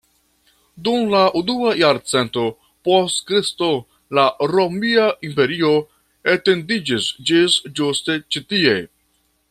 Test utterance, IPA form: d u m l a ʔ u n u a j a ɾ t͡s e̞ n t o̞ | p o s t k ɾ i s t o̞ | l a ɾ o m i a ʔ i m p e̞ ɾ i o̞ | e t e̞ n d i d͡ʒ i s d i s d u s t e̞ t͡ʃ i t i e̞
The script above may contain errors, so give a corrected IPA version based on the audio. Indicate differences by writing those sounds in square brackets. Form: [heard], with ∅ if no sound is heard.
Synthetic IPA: d u m l a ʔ u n u a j a ɾ t͡s e̞ n t o̞ | p o s t k ɾ i s t o̞ | l a ɾ o m i a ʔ i m p e̞ ɾ i o̞ | e t e̞ n d i d͡ʒ i s [d͡ʒ] i s [d͡ʒ] u s t e̞ t͡ʃ i t i e̞